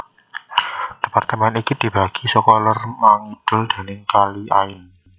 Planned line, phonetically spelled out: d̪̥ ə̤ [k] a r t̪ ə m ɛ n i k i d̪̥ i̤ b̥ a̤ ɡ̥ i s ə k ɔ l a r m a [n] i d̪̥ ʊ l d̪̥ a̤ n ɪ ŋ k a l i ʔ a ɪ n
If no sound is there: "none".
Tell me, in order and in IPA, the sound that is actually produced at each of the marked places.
p, ŋ

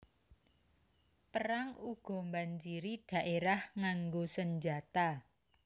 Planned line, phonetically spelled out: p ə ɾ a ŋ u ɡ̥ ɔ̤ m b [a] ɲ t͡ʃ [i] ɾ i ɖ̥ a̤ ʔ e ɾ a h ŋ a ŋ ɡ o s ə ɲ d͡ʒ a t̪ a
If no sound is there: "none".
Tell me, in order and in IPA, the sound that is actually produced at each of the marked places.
a, i

